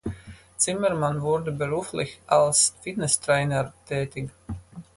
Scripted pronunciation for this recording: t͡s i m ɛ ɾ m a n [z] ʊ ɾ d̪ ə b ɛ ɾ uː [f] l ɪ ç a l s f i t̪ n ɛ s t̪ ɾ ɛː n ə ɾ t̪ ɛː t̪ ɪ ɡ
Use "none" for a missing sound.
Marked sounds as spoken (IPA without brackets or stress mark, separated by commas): v, f